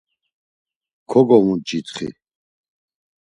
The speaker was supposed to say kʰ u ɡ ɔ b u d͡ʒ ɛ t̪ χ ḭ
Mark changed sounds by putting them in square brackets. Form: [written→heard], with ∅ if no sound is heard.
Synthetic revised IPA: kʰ [u→ɔ] ɡ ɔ [b→m] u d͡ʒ [ɛ→i] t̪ χ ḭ